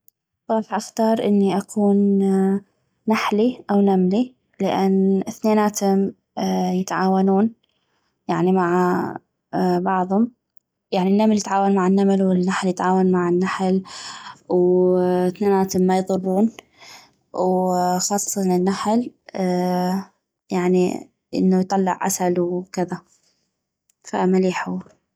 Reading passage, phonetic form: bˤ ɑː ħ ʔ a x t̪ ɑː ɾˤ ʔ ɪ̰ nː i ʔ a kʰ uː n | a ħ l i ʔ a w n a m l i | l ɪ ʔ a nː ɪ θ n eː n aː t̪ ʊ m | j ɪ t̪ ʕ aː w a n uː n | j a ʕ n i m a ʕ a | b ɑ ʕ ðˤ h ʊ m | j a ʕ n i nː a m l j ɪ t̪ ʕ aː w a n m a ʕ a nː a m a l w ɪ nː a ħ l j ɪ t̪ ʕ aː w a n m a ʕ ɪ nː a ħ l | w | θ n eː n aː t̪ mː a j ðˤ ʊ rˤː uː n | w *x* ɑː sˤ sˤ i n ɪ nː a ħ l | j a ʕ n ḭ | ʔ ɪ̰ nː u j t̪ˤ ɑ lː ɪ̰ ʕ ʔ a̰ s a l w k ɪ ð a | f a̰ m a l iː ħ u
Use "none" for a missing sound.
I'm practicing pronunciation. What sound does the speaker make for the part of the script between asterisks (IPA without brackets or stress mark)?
x